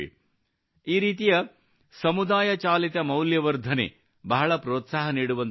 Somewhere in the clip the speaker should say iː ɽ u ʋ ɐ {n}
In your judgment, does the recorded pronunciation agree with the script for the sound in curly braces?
yes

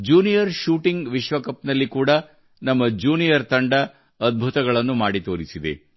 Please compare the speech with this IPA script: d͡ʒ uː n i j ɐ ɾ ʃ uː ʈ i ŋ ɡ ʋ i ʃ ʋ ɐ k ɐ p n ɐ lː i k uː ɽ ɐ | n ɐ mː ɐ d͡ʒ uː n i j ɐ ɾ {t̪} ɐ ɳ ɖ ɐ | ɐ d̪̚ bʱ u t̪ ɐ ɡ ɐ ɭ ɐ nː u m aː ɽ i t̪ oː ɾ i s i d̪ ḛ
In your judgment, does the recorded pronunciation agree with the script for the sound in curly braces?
yes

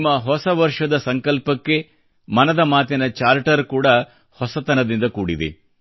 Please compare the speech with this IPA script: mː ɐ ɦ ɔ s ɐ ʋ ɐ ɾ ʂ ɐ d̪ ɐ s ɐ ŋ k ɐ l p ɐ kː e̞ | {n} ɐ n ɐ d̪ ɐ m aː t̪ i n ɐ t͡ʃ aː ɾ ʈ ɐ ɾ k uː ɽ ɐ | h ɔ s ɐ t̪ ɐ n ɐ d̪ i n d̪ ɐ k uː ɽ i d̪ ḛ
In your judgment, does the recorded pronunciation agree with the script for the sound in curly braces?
no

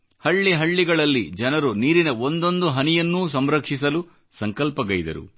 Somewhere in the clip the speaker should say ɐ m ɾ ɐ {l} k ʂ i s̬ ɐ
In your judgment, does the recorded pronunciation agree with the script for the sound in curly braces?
no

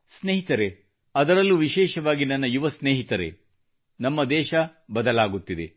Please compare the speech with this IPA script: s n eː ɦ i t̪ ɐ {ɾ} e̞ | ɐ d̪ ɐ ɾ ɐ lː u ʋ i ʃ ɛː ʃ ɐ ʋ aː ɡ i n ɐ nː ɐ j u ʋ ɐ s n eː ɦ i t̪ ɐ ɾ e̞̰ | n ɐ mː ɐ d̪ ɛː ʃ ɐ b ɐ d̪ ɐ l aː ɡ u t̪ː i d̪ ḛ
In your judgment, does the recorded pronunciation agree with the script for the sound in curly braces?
yes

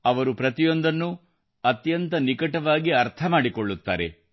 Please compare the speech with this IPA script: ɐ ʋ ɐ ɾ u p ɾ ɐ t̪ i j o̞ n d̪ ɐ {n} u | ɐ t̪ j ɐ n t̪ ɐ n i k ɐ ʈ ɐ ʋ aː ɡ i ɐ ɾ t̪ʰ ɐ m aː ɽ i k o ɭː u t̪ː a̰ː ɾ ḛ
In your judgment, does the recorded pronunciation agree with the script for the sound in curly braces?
no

